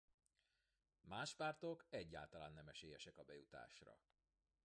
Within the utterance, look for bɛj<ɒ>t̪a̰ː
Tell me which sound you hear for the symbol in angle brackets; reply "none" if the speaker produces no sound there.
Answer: u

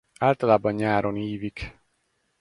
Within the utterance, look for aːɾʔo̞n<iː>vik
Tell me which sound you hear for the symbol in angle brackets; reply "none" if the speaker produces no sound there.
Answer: iː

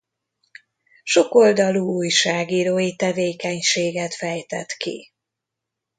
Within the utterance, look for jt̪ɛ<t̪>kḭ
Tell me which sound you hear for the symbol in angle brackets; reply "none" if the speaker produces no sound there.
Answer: t̪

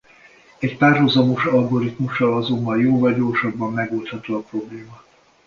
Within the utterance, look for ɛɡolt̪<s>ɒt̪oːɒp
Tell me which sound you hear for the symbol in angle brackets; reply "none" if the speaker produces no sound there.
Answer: h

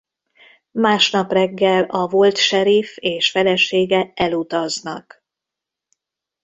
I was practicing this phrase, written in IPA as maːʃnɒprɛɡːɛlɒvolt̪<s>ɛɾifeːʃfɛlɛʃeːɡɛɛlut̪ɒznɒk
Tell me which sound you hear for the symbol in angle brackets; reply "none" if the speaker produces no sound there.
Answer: ʃ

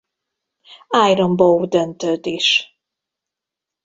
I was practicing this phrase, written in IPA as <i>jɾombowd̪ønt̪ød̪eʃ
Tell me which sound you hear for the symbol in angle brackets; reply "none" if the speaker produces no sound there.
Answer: a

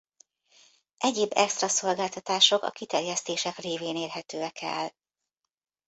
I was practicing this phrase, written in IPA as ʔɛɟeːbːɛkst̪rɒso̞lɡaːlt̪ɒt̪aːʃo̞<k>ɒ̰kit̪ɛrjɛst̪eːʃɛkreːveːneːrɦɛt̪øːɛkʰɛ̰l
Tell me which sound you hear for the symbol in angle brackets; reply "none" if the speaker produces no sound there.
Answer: k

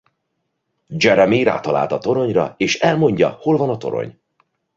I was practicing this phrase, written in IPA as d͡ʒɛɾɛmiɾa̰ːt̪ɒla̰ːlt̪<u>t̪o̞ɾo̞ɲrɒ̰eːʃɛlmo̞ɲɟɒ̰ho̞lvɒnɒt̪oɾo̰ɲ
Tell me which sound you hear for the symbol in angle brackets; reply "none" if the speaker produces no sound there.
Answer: ɒ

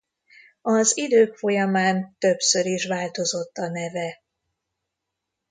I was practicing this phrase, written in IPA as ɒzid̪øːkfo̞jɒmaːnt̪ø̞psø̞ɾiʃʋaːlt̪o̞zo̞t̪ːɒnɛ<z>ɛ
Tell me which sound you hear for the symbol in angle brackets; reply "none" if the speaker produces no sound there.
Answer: v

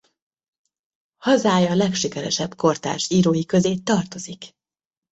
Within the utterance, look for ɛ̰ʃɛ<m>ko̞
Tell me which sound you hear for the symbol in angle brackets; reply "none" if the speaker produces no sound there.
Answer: b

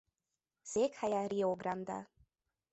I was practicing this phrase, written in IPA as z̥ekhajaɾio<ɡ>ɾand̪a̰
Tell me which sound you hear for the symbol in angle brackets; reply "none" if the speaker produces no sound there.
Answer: ɡ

